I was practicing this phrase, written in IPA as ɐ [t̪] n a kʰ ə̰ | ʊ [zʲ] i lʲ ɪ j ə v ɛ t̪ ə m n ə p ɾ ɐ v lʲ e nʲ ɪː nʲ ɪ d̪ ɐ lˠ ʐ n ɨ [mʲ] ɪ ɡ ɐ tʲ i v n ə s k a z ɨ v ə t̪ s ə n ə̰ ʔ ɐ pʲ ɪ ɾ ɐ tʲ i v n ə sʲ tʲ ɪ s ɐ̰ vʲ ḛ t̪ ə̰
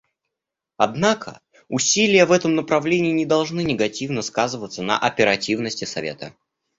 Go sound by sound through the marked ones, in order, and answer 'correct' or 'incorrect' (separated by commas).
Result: incorrect, incorrect, incorrect